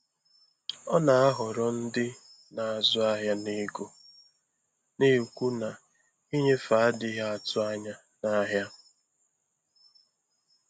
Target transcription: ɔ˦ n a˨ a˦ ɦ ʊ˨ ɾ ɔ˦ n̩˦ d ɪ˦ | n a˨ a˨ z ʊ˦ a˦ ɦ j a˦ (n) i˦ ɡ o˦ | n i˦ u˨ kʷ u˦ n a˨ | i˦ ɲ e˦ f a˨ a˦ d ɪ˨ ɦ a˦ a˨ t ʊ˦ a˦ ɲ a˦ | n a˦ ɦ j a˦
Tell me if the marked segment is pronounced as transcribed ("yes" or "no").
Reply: yes